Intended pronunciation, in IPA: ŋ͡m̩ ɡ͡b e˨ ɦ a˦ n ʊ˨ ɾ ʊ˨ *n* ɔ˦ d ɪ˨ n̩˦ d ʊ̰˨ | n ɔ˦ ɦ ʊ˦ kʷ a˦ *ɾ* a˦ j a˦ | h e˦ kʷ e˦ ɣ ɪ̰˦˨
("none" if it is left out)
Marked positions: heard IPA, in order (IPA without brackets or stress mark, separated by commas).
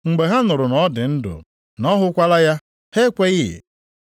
n, l